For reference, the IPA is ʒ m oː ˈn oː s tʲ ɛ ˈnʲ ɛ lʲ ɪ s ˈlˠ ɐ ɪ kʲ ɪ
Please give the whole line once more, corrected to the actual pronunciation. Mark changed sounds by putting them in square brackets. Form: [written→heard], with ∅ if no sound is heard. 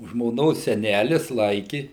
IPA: ʒ m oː ˈn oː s [tʲ→sʲ] ɛ ˈnʲ [ɛ→æ] lʲ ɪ s ˈlˠ ɐ ɪ kʲ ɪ